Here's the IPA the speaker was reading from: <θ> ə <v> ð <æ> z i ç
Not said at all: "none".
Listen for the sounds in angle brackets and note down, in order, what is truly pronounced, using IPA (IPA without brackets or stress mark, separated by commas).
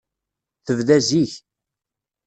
θ, v, æ